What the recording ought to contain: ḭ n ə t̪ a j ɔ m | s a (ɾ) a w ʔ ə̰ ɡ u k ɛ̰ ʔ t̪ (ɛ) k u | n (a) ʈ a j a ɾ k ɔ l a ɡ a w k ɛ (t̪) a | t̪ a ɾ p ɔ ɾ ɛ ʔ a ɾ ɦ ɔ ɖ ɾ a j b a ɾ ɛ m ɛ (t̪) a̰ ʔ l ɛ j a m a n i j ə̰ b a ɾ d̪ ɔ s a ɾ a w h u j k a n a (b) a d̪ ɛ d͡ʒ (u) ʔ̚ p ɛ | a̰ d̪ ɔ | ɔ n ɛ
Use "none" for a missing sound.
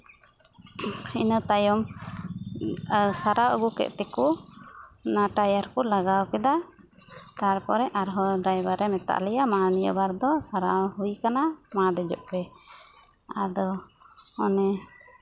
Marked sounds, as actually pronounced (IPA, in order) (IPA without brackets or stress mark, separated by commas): ɾ, ɛ, a, d̪, t̪, m, ɔ